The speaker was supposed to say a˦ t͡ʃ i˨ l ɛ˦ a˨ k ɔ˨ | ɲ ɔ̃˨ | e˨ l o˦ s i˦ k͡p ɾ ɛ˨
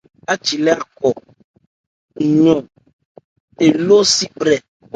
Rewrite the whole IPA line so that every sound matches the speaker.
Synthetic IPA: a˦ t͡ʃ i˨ l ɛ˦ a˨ k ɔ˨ | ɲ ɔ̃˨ | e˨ l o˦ s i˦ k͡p ɾ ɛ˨

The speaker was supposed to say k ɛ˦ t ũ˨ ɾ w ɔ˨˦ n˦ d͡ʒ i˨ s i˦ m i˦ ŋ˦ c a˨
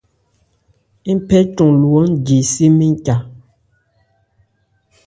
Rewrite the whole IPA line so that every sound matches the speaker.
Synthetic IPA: p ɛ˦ t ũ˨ l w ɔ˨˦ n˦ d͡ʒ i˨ s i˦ m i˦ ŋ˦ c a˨

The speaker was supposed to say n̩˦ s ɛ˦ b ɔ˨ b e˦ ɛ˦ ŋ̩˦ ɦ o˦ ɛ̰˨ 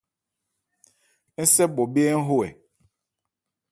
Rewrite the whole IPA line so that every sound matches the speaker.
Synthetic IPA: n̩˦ s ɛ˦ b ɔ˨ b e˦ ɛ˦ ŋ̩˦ ɦ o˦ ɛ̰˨

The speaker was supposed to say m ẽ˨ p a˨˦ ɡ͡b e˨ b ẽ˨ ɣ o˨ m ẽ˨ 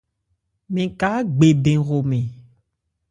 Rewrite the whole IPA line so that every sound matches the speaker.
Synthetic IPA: m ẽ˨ k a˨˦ ɡ͡b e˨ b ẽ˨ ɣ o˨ m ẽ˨

